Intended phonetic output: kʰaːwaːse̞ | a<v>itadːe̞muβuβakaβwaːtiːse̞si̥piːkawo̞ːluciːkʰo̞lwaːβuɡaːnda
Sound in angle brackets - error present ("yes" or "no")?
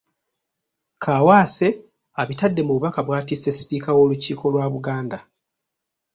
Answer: yes